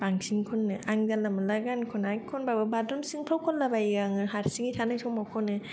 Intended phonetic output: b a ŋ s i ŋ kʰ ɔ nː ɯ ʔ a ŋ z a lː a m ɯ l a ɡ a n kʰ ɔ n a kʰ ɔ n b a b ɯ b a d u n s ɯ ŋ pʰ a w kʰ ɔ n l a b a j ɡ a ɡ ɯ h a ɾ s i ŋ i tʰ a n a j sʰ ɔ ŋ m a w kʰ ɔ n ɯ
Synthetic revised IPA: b a ŋ s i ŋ kʰ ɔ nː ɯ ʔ a ŋ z a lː a m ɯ l a ɡ a n kʰ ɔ n a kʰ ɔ n b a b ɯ b a d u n s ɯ ŋ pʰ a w kʰ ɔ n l a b a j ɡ a ŋ ɯ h a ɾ s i ŋ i tʰ a n a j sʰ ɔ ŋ m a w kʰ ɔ n ɯ